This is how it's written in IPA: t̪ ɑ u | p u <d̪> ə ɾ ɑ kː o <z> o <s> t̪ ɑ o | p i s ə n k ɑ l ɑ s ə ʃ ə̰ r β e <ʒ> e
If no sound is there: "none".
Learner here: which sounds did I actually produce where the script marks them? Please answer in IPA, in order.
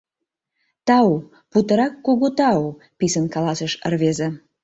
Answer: t̪, ɣ, none, z

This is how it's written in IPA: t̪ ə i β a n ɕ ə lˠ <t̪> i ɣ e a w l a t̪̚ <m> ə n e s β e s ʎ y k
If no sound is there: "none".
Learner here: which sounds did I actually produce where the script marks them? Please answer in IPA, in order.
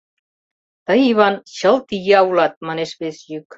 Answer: t̪, m

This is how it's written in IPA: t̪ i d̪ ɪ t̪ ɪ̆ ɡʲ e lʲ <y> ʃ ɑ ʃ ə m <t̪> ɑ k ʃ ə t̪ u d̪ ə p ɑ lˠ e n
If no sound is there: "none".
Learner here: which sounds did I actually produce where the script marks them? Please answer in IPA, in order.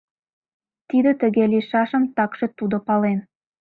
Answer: i, t̪

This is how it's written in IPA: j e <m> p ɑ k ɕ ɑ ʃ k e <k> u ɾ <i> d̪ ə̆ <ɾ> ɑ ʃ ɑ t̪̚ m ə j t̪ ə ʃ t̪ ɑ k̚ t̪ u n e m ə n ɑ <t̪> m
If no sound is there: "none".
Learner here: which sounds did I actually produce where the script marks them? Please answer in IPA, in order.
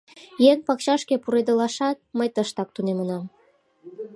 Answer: ŋ, p, e, l, none

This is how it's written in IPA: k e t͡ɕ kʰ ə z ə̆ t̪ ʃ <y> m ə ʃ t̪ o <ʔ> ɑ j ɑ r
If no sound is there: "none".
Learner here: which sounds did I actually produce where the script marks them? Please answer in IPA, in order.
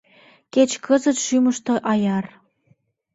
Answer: y, ʔ

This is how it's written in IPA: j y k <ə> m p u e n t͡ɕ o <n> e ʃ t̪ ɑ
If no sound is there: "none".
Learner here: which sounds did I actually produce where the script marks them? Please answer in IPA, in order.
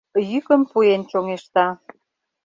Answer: ə, ŋ

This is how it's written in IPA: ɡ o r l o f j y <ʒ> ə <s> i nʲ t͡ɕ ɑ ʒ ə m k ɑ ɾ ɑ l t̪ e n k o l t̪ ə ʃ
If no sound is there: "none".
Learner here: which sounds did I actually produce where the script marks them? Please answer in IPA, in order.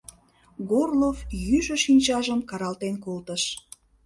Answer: ʒ, ʃ

